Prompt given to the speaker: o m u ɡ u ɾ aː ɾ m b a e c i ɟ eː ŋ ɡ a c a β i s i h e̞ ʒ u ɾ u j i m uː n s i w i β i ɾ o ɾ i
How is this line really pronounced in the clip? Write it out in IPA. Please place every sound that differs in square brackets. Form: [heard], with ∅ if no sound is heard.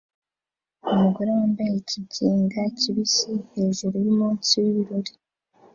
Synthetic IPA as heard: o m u ɡ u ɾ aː [∅] m b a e c i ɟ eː ŋ ɡ a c [i] β i s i h e̞ ʒ u ɾ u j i m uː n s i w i β i ɾ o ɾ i